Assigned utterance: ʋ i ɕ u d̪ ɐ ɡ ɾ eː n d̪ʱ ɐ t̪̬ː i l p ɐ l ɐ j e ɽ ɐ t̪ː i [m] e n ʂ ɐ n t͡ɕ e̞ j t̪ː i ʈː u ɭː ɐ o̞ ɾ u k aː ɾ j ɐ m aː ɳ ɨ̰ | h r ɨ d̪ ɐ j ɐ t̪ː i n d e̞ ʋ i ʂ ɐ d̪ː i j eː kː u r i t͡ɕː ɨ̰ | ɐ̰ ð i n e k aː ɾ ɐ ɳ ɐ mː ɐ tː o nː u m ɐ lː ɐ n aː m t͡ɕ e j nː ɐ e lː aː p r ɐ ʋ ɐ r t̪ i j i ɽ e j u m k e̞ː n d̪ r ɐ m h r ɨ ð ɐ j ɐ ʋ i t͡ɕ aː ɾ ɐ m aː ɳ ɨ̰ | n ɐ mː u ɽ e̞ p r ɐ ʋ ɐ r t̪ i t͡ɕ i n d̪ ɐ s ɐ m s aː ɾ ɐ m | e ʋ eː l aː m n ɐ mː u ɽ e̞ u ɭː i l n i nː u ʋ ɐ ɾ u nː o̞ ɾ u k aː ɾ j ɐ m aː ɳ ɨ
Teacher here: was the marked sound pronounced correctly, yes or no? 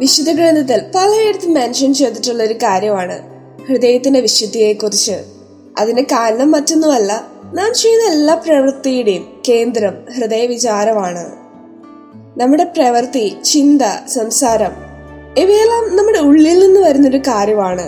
yes